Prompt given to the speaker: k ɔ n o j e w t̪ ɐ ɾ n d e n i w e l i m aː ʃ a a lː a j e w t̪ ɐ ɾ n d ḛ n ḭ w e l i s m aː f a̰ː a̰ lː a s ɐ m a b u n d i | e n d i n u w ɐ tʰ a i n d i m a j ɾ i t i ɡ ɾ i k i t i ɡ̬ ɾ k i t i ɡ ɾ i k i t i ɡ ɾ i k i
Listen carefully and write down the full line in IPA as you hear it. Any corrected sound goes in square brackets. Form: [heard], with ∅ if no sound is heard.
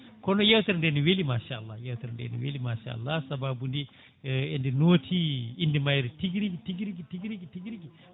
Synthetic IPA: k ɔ n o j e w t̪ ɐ ɾ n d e n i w e l i m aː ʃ a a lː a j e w t̪ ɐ ɾ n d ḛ n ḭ w e l i [∅] m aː [ʃ] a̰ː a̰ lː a s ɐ [b] a b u n d i | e n d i n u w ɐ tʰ [i] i n d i m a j ɾ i t i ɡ ɾ i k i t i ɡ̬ ɾ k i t i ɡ ɾ i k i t i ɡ ɾ i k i